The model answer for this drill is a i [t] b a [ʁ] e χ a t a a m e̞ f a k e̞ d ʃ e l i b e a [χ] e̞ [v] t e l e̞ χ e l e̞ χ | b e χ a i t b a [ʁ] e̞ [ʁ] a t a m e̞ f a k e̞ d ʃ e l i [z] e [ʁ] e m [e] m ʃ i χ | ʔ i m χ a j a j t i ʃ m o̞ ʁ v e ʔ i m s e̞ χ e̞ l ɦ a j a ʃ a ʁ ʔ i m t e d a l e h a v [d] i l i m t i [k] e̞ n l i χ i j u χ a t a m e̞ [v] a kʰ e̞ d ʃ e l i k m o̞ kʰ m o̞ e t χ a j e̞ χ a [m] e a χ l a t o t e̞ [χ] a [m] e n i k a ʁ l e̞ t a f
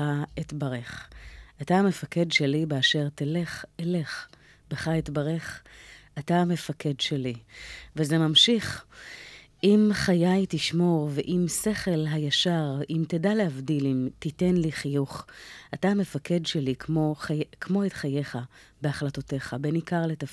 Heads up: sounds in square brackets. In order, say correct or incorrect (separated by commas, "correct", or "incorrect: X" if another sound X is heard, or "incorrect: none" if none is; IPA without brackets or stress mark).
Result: correct, correct, incorrect: ʃ, incorrect: ʁ, correct, incorrect: χ, incorrect: v, incorrect: z, incorrect: a, correct, incorrect: t, incorrect: f, incorrect: b, correct, incorrect: b